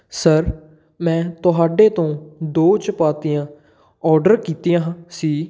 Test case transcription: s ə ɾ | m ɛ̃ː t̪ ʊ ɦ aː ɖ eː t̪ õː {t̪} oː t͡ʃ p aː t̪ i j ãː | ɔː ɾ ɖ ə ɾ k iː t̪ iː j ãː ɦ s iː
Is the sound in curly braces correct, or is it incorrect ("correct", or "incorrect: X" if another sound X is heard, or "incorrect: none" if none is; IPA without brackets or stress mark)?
incorrect: d̪